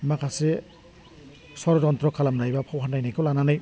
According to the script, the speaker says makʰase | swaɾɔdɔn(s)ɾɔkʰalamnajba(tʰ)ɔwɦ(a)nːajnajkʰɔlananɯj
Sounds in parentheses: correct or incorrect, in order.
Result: incorrect: t, incorrect: pʰ, correct

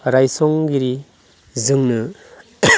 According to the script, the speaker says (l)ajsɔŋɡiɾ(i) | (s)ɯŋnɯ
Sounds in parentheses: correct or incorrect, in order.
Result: incorrect: ɾ, correct, incorrect: z

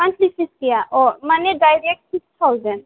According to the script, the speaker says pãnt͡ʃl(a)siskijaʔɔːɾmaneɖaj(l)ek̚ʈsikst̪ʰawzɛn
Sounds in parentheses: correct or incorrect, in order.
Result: incorrect: i, incorrect: ɾ

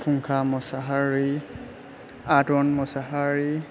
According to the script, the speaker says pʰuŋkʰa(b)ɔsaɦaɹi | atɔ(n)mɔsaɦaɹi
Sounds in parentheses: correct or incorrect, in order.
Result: incorrect: m, correct

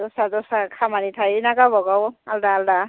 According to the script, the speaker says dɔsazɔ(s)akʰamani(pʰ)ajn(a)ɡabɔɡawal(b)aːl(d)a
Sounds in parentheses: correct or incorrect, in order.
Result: correct, incorrect: tʰ, correct, incorrect: d, correct

